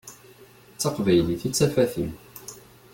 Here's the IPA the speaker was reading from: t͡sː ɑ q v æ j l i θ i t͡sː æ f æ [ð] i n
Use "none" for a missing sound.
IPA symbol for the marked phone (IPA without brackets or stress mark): θ